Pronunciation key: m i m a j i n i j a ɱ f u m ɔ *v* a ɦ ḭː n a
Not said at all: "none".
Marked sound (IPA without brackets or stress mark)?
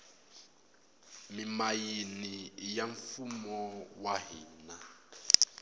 w